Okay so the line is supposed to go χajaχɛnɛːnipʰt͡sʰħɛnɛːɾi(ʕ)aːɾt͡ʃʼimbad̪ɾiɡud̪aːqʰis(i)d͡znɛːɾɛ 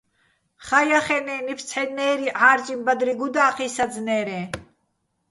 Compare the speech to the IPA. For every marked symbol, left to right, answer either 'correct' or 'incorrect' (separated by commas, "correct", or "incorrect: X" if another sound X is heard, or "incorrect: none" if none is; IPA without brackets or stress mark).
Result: correct, incorrect: a